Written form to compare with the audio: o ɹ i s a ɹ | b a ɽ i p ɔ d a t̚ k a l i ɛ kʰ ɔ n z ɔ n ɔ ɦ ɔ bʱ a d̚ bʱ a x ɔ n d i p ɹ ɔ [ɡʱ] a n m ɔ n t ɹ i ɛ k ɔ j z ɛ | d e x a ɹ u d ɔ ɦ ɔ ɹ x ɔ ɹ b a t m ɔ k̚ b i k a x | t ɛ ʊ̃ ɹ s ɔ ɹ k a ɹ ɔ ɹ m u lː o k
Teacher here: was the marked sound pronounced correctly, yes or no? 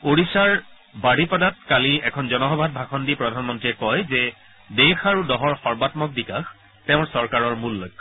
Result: no